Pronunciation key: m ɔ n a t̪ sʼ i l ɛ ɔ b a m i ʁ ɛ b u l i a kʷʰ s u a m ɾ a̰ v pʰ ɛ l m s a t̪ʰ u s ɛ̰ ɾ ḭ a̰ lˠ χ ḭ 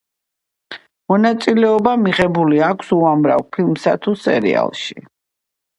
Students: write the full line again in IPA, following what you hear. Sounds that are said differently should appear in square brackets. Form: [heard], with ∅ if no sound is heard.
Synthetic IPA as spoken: m ɔ n a t̪ sʼ i l ɛ ɔ b a m i ʁ ɛ b u l i a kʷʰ s u a m ɾ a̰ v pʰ [i] l m s a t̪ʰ u s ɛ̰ ɾ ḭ a̰ lˠ [ʃ] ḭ

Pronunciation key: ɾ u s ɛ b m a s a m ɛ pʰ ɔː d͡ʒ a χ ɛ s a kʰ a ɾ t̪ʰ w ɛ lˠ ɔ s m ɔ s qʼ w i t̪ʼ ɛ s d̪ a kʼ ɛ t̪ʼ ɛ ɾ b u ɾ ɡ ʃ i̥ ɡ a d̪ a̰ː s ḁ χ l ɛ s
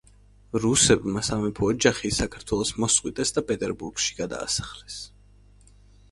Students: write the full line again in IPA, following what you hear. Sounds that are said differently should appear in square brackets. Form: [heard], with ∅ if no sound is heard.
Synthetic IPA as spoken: ɾ u s ɛ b m a s a m ɛ pʰ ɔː d͡ʒ a χ [i] s a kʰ a ɾ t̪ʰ w ɛ lˠ ɔ s m ɔ s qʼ w i t̪ʼ ɛ s d̪ a [pʼ] ɛ t̪ʼ ɛ ɾ b u ɾ ɡ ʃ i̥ ɡ a d̪ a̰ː s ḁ χ l ɛ s

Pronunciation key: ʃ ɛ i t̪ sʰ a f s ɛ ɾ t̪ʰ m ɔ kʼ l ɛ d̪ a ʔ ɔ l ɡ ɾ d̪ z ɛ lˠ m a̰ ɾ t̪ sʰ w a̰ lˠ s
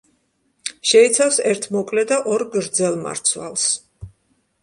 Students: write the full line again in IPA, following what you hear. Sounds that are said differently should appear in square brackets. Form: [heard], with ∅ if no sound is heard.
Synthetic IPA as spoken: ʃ ɛ i t̪ sʰ a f s ɛ ɾ t̪ʰ m ɔ kʼ l ɛ d̪ a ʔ ɔ [ɾ] ɡ ɾ d̪ z ɛ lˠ m a̰ ɾ t̪ sʰ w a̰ lˠ s

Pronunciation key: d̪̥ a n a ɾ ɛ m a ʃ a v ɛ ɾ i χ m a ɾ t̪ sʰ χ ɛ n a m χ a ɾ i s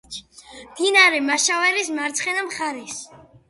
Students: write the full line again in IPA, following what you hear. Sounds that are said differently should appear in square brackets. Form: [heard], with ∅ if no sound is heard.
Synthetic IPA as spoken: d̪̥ [i] n a ɾ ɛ m a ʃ a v ɛ ɾ i [s] m a ɾ t̪ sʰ χ ɛ n a m χ a ɾ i s

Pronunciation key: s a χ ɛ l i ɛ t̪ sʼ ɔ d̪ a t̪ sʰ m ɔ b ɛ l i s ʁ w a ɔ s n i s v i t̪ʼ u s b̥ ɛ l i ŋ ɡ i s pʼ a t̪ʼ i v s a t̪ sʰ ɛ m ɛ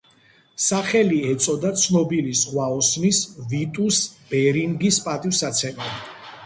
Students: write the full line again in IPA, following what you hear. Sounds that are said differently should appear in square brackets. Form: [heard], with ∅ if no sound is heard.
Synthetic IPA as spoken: s a χ ɛ l i ɛ t̪ sʼ ɔ d̪ a t̪ sʰ [n] ɔ b [i] l i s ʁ w a ɔ s n i s v i t̪ʼ u s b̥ ɛ [ɾ] i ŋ ɡ i s pʼ a t̪ʼ i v s a t̪ sʰ ɛ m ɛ

